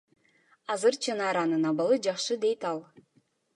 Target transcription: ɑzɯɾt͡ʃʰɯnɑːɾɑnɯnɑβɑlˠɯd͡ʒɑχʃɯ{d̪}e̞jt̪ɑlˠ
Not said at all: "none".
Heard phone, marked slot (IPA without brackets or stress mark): d̪